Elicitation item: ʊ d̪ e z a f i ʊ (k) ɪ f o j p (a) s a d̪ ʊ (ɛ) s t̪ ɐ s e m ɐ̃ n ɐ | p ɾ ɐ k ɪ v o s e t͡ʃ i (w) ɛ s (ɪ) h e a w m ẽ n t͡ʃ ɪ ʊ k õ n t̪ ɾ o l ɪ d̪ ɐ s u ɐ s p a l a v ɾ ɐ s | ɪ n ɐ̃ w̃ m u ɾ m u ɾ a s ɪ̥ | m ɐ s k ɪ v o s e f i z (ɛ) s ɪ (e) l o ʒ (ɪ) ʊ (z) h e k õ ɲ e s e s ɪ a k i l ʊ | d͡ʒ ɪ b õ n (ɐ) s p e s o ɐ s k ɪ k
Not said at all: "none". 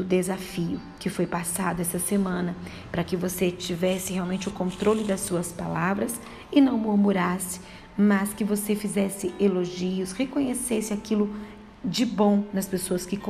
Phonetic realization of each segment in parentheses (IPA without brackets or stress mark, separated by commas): k, a, ɛ, v, ɪ, ɛ, e, i, s, ɐ